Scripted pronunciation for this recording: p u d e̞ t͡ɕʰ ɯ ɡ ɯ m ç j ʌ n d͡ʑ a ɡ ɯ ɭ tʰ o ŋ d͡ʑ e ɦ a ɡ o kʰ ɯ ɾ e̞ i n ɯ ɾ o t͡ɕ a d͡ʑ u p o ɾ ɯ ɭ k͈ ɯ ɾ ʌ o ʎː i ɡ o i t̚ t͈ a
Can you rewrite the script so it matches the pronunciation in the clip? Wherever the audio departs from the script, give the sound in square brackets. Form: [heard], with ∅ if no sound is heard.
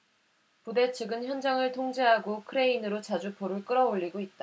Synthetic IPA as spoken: p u d e̞ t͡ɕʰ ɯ ɡ ɯ [n] ç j ʌ n d͡ʑ a [ŋ] ɯ ɭ tʰ o ŋ d͡ʑ e ɦ a ɡ o kʰ ɯ ɾ e̞ i n ɯ ɾ o t͡ɕ a d͡ʑ u p o ɾ ɯ ɭ k͈ ɯ ɾ ʌ o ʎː i ɡ o i t̚ t͈ a